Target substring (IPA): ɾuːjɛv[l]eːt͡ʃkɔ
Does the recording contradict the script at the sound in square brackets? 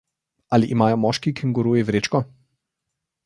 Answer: yes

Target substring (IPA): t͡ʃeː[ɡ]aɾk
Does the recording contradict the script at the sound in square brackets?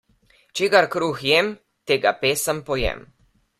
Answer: no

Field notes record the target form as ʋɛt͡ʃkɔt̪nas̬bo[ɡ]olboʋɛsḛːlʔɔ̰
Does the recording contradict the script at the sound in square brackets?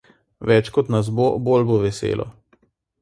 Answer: yes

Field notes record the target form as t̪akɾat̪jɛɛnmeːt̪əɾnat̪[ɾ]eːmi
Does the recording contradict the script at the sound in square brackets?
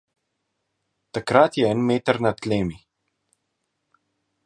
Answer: yes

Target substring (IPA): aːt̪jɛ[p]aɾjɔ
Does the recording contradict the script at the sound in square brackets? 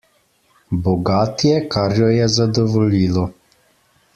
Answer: yes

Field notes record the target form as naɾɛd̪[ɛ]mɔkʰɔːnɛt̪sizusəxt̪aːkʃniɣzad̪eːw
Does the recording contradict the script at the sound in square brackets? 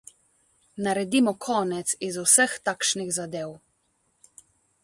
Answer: yes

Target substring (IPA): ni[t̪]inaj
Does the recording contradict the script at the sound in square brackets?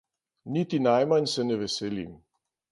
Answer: no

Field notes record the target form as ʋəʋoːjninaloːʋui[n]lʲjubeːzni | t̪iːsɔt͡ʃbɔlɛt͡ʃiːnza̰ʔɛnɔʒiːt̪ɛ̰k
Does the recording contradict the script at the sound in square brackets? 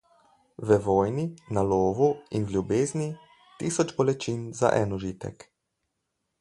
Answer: no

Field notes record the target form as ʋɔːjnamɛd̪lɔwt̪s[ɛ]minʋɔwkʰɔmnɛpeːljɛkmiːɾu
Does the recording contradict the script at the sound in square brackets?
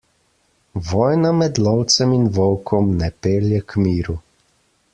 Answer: no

